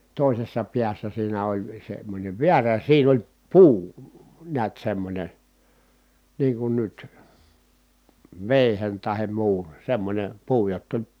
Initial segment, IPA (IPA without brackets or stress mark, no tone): t